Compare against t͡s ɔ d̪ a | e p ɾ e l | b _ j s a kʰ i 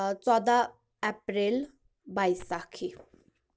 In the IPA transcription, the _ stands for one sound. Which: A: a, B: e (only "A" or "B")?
A